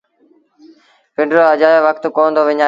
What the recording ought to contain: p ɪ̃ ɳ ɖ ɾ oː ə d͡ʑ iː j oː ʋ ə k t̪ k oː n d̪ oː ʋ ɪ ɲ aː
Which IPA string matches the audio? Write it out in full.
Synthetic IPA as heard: p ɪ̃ ɳ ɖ ɾ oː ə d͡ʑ aː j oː ʋ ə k t̪ k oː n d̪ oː ʋ ɪ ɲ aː

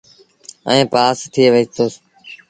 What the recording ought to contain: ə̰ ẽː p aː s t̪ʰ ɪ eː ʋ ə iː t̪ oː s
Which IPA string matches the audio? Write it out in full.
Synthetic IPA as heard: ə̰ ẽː p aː s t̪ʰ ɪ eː ʋ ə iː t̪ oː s

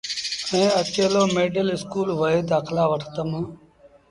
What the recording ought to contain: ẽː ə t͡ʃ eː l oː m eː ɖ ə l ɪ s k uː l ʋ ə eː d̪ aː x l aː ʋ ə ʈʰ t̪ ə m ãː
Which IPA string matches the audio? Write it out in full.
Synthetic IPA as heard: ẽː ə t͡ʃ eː l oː m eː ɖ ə l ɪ s k uː l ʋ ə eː d̪ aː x l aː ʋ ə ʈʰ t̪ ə m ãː

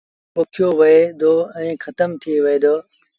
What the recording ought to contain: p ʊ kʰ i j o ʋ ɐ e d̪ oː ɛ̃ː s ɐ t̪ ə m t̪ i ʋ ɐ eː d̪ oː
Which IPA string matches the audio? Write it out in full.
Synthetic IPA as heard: p ʊ kʰ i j o ʋ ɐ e d̪ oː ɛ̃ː x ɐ t̪ ə m t̪ʰ i ʋ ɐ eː d̪ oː

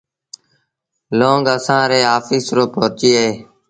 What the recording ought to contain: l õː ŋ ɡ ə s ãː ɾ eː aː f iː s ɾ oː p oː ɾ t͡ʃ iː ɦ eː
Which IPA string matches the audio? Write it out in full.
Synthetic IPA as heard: l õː ŋ ɡ ə s ãː ɾ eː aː f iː s ɾ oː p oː ɾ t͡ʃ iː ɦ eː

